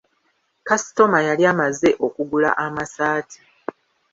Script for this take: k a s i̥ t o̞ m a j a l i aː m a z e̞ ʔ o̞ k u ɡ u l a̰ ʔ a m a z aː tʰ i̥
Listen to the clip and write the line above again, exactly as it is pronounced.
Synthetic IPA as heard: k a s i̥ t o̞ m a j a l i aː m a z e̞ ʔ o̞ k u ɡ u l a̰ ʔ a m a s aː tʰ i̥